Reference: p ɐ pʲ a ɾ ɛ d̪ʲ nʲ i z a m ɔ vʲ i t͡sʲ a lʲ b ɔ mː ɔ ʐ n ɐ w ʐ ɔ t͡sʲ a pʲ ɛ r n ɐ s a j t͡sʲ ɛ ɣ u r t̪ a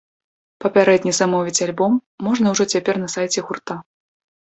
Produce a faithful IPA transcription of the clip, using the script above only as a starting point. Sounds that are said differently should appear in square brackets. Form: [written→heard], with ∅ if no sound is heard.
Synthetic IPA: p ɐ pʲ a ɾ ɛ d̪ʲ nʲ i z a m ɔ vʲ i t͡sʲ a lʲ b ɔ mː ɔ ʐ n ɐ w ʐ ɔ t͡sʲ a pʲ ɛ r n ɐ s a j t͡sʲ ɛ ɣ u r t̪ a

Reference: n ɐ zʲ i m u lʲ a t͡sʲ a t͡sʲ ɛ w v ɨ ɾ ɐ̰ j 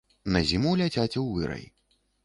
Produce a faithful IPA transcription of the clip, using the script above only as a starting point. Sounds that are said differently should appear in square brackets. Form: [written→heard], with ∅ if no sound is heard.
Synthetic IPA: n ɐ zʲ i m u lʲ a t͡sʲ a t͡sʲ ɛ w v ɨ ɾ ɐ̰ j

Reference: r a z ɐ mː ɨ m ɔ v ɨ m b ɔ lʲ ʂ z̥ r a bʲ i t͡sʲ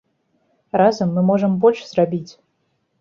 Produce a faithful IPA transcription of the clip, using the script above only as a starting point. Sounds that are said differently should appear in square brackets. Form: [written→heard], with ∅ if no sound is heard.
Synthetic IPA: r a z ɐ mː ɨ m ɔ [v→ʐ] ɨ m b ɔ lʲ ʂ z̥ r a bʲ i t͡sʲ

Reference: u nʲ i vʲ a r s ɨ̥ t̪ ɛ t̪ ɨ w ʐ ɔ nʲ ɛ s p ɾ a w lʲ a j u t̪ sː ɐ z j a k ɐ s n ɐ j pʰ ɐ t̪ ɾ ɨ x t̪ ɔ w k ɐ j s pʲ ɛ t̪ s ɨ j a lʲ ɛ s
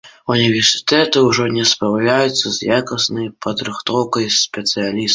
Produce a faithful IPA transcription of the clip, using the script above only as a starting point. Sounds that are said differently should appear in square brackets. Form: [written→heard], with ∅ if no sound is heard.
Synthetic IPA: u nʲ i vʲ [a→ɛ] r s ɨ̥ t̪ ɛ t̪ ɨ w ʐ ɔ nʲ ɛ s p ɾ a w lʲ a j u t̪ sː ɐ z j a k ɐ s n ɐ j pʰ ɐ [t̪→d̪] ɾ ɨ x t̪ ɔ w k ɐ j s pʲ ɛ t̪ s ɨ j a lʲ [ɛ→i] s

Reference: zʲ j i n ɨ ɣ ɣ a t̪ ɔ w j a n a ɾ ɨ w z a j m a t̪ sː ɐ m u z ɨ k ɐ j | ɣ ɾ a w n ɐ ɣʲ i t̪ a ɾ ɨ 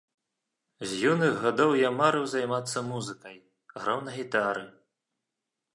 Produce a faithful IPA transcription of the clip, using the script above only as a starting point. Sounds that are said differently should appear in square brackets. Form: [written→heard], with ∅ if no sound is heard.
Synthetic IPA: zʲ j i n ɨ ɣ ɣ a [t̪→d̪] ɔ w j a [n→m] a ɾ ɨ w z a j m a t̪ sː ɐ m u z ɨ k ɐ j | ɣ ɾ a w n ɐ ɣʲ i t̪ a ɾ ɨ

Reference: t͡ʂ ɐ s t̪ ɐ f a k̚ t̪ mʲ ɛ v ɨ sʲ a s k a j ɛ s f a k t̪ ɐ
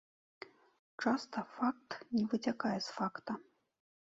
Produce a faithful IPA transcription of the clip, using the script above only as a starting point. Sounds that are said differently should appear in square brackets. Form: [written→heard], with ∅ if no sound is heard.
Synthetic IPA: t͡ʂ [ɐ→a] s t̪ ɐ f a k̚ t̪ [mʲ→nʲ] ɛ v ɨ [sʲ→t͡sʲ] a [s→∅] k a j ɛ s f a k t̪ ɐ

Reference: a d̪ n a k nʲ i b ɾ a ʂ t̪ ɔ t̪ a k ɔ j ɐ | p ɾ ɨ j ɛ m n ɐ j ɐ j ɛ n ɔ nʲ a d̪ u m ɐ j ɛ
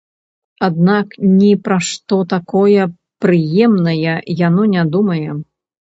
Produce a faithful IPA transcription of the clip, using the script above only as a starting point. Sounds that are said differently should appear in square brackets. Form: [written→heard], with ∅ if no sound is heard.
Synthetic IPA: a d̪ n a k nʲ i [b→p] ɾ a ʂ t̪ ɔ t̪ a k ɔ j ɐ | p ɾ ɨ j ɛ m n ɐ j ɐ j [ɛ→a] n ɔ nʲ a d̪ u m ɐ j ɛ

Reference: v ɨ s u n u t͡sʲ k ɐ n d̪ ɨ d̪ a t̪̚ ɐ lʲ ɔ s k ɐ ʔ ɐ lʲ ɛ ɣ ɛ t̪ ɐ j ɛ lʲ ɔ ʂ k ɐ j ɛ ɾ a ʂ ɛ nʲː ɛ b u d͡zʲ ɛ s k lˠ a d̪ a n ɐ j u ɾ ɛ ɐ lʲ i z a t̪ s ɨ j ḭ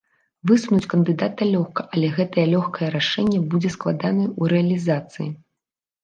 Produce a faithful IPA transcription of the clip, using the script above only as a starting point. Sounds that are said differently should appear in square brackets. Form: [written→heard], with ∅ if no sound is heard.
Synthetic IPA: v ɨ s u n u t͡sʲ k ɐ n d̪ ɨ d̪ a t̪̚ ɐ lʲ ɔ [s→x] k ɐ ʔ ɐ lʲ ɛ ɣ ɛ t̪ ɐ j ɛ lʲ ɔ [ʂ→x] k ɐ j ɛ ɾ a ʂ ɛ nʲː ɛ b u d͡zʲ ɛ s k lˠ a d̪ a n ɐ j u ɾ ɛ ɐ lʲ i z a t̪ s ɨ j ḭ

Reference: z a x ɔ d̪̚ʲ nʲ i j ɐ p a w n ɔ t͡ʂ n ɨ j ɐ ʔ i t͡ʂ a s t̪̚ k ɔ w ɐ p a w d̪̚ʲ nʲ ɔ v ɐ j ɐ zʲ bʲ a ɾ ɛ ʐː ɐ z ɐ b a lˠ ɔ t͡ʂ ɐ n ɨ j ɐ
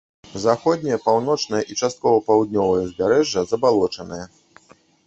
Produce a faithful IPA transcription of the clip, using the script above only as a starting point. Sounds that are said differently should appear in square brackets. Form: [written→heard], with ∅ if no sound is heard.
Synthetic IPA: z a x ɔ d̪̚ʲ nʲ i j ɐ p a w n ɔ t͡ʂ n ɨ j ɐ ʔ i t͡ʂ a s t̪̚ k ɔ [w→v] ɐ p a w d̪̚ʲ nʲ ɔ v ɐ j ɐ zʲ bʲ a ɾ ɛ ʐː ɐ z ɐ b a lˠ ɔ t͡ʂ ɐ n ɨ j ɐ

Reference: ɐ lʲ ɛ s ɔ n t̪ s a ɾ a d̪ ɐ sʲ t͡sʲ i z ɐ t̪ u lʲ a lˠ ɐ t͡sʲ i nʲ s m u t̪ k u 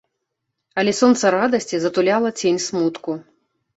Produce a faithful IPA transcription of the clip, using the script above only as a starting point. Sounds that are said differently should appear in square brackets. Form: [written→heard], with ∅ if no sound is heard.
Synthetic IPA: ɐ lʲ ɛ s ɔ n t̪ s [a→ɐ] ɾ a d̪ ɐ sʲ t͡sʲ i z ɐ t̪ u lʲ a lˠ ɐ t͡sʲ [i→e] nʲ s m u t̪ k u

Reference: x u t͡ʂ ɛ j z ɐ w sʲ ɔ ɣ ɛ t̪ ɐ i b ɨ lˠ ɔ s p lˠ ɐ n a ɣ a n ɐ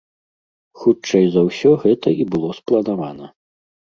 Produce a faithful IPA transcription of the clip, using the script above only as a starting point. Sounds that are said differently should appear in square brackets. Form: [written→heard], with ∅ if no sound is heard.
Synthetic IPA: x u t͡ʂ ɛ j z ɐ w sʲ ɔ ɣ ɛ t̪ ɐ i b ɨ lˠ ɔ s p lˠ ɐ n a [ɣ→v] a n ɐ

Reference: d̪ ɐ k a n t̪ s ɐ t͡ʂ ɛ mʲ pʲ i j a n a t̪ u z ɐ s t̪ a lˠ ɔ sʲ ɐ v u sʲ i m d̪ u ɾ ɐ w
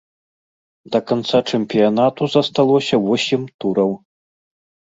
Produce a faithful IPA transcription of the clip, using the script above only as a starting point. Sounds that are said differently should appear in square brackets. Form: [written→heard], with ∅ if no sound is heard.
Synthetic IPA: d̪ ɐ k a n t̪ s [ɐ→a] t͡ʂ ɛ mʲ pʲ i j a n a t̪ u z ɐ s t̪ a lˠ ɔ sʲ ɐ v [u→ɔ] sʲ i m [d̪→t̪] u ɾ ɐ w

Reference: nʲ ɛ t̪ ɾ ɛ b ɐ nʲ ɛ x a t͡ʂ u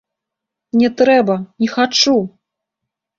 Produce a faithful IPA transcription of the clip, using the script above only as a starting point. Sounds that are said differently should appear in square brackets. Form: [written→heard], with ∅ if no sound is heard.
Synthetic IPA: nʲ ɛ t̪ ɾ ɛ b ɐ nʲ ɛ x a t͡ʂ u

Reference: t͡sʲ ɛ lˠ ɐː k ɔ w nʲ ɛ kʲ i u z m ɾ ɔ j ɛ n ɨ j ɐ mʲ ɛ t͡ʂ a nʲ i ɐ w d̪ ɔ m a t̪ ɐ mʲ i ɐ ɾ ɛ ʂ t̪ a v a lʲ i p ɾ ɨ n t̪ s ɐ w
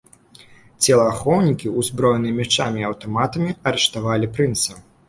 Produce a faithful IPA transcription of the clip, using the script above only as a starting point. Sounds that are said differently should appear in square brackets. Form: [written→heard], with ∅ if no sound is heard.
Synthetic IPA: t͡sʲ ɛ lˠ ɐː [k→x] ɔ w nʲ [ɛ→i] kʲ i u z [m→b] ɾ ɔ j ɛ n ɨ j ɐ mʲ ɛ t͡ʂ a [nʲ→mʲ] i ɐ w [d̪→t̪] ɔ m a t̪ ɐ mʲ i ɐ ɾ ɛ ʂ t̪ a v a lʲ i p ɾ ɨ n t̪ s ɐ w

